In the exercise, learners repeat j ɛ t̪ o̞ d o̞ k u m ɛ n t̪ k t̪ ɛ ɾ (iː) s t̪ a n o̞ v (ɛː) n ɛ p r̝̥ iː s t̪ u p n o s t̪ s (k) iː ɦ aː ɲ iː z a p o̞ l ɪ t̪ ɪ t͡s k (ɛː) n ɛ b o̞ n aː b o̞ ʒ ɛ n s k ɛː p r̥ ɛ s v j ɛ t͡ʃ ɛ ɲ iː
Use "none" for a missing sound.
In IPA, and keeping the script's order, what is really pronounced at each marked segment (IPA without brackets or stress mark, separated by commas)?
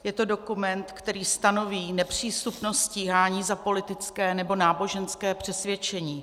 iː, iː, c, ɛː